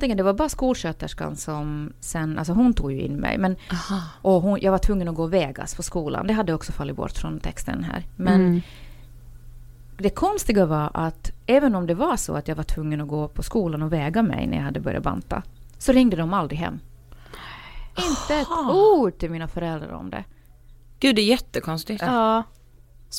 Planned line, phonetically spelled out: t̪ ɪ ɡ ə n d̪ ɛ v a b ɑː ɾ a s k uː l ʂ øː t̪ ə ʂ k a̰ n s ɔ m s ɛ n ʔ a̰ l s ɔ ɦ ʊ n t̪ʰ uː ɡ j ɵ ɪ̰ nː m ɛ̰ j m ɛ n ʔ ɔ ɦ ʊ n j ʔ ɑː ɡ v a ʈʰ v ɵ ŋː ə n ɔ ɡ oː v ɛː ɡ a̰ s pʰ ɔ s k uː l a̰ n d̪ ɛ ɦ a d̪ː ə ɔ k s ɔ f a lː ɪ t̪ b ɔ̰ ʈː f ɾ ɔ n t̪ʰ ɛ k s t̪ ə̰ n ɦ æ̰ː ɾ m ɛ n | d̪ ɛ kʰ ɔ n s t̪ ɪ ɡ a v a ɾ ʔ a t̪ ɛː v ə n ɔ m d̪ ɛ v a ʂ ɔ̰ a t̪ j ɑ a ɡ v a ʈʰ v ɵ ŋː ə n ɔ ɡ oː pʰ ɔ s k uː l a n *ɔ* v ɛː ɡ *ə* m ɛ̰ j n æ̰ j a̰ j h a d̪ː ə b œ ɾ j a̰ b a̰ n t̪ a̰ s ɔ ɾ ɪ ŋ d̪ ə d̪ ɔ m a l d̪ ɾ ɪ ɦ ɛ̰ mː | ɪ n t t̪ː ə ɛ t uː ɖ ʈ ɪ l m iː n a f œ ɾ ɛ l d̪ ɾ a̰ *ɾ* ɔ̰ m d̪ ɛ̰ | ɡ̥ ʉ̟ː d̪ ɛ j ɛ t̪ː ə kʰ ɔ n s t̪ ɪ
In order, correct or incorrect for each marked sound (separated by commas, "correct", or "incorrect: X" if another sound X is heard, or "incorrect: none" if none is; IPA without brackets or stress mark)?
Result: correct, incorrect: a, correct